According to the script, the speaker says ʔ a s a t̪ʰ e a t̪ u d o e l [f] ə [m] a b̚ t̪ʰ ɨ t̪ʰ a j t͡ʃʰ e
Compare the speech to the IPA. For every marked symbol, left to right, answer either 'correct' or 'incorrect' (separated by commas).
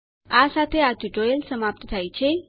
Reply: incorrect, correct